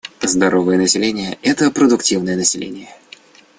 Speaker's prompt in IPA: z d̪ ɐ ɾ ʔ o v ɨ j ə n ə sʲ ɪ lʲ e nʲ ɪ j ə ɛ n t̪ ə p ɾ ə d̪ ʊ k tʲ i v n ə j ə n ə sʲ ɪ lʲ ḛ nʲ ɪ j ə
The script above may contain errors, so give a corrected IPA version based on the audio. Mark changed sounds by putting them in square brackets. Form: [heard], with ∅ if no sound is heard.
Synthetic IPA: z d̪ ɐ ɾ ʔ o v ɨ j ə n ə sʲ ɪ lʲ e nʲ ɪ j ə ɛ [∅] t̪ ə p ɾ ə d̪ ʊ k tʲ i v n ə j ə n ə sʲ ɪ lʲ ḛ nʲ ɪ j ə